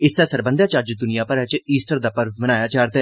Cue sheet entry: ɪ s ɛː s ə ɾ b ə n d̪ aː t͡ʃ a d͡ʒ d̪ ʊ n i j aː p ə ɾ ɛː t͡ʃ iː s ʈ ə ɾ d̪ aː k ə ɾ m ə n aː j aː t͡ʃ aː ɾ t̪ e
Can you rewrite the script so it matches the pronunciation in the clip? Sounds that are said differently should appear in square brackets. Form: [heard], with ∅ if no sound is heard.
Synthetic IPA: ɪ s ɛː s ə ɾ b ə n d̪ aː t͡ʃ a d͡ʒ d̪ ʊ n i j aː p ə ɾ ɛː t͡ʃ iː s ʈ ə ɾ d̪ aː [p] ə ɾ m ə n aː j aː t͡ʃ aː ɾ t̪ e